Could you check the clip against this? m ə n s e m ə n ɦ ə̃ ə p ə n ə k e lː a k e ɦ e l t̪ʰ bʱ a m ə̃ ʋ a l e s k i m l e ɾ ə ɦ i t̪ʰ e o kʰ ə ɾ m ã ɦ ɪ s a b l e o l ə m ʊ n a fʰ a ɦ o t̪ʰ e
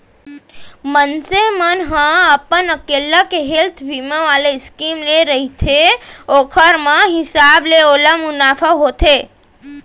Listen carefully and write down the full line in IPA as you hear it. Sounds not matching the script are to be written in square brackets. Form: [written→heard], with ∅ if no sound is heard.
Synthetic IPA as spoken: m ə n s e m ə n ɦ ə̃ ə p ə n ə k e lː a k e ɦ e l t̪ʰ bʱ [a→i] m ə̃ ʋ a l e s k i m l e ɾ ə ɦ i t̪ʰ e o kʰ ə ɾ m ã ɦ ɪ s a b l e o l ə m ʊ n a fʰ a ɦ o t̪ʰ e